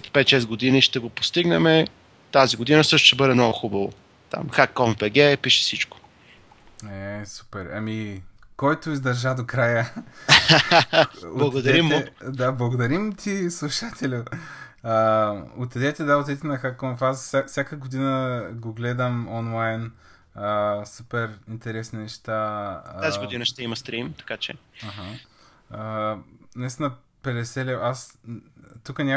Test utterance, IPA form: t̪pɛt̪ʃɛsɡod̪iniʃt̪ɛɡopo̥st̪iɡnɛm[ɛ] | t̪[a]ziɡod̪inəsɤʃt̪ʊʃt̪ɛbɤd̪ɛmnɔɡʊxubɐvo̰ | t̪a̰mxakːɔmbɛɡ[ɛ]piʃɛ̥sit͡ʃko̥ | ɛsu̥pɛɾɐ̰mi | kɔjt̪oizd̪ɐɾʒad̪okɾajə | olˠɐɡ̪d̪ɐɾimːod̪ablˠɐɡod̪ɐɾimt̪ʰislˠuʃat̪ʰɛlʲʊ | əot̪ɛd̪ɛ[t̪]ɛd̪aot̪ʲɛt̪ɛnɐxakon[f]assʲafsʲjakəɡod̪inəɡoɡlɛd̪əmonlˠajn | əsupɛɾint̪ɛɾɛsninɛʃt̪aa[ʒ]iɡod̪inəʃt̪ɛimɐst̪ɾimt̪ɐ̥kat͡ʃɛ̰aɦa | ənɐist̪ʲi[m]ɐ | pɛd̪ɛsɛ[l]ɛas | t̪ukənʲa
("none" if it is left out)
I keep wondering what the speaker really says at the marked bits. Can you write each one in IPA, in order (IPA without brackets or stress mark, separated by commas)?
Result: ɛ, a, ɛ, t̪, f, z, n, l